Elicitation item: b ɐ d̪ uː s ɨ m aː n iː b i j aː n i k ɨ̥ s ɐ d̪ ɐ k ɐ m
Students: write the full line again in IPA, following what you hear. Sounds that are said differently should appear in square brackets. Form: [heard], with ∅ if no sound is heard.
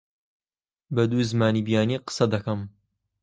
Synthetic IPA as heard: b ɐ d̪ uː [z] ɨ m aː n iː b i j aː n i [q] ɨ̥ s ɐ d̪ ɐ k ɐ m

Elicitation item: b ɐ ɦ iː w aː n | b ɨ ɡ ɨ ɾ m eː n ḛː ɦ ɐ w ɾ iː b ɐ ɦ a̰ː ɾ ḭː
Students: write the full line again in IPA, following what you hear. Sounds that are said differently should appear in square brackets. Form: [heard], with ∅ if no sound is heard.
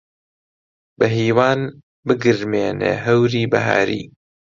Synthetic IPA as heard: b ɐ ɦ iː w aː n | b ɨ ɡ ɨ ɾ m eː n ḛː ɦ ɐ w ɾ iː b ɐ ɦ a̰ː ɾ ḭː

